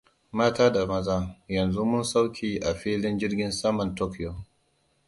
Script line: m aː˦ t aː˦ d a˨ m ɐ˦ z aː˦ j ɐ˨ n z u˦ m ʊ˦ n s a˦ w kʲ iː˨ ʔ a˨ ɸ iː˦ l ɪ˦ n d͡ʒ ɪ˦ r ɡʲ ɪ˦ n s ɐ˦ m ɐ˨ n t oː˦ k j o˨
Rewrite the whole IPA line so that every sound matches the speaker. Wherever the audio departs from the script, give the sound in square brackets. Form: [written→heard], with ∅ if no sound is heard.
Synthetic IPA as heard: m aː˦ t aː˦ d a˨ m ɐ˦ z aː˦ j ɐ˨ n z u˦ m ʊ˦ n s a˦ w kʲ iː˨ ʔ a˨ ɸ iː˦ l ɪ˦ n d͡ʒ ɪ˦ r ɡʲ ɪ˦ n s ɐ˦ m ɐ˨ n t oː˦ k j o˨